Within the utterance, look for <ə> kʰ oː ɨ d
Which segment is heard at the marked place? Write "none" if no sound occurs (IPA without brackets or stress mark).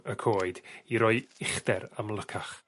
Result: ə